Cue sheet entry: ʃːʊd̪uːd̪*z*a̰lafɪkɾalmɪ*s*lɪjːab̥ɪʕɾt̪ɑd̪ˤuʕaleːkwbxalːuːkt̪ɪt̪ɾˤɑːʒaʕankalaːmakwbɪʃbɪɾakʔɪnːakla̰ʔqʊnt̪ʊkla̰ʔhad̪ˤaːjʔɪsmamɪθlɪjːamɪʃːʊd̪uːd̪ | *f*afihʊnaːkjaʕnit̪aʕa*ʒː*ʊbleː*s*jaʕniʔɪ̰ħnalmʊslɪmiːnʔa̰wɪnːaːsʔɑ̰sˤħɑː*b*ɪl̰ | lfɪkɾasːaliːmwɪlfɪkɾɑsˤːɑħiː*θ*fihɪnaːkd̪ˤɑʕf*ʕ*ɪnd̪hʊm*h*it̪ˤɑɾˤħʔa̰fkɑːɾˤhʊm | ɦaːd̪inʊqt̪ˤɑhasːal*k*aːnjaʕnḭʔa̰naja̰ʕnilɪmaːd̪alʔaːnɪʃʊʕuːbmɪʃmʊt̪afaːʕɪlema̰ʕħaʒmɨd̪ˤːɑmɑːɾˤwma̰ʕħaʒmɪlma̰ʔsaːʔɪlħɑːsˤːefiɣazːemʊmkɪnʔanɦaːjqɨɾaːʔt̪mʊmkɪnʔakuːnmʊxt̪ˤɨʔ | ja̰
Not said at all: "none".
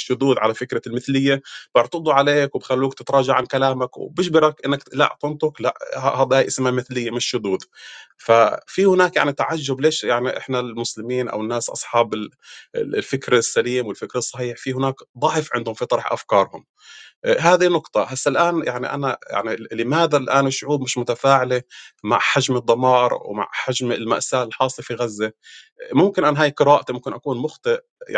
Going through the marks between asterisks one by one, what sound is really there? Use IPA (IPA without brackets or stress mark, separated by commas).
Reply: ʕ, θ, f, ʒː, ʃ, b, ħ, ʕ, f, ʔ